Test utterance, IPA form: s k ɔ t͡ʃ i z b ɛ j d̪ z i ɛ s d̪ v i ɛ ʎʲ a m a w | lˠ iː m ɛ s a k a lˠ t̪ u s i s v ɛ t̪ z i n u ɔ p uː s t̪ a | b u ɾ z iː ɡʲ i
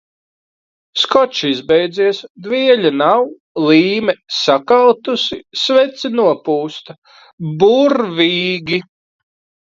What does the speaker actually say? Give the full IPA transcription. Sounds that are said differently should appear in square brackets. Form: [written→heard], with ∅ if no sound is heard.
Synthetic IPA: s k ɔ t͡ʃ i z b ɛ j d̪ z i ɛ s d̪ v i ɛ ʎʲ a [m→n] a w | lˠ iː m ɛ s a k a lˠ t̪ u s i s v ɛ t̪ [z→s] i n u ɔ p uː s t̪ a | b u ɾ [z→v] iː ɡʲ i